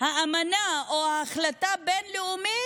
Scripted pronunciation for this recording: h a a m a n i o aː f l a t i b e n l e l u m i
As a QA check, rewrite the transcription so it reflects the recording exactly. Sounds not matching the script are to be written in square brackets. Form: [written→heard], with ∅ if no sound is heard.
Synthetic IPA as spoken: h a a m a n [i→a] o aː [f→χ] l a t [i→a] b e n l e [l→∅] u m i